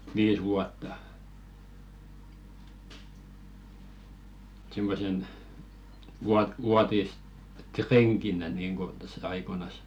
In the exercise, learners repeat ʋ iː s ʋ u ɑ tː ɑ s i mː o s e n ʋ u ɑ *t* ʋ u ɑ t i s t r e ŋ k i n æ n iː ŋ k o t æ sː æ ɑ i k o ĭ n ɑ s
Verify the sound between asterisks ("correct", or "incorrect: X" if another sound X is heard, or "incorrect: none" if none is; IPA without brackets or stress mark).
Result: correct